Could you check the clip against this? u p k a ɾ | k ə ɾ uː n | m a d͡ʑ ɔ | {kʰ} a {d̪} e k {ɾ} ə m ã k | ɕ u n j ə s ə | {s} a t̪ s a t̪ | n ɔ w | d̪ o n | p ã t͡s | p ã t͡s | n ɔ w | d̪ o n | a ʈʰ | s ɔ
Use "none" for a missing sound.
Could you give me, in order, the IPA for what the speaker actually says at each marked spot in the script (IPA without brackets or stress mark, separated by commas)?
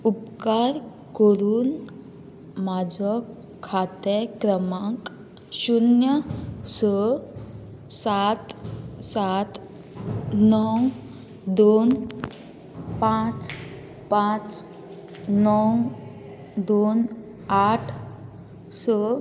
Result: kʰ, t̪, ɾ, s